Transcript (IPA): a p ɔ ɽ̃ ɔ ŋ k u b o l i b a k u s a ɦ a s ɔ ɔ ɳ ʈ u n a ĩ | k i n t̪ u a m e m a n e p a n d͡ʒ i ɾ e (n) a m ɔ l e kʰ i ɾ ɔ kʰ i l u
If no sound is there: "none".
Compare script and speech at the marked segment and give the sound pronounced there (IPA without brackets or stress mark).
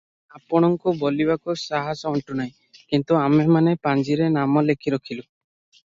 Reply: n